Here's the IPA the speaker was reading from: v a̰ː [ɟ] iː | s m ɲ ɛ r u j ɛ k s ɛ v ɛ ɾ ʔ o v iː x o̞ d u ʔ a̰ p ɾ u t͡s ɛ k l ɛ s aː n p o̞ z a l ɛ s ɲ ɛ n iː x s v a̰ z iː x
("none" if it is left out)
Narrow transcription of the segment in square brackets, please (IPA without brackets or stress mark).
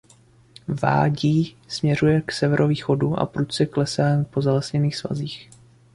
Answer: ɟ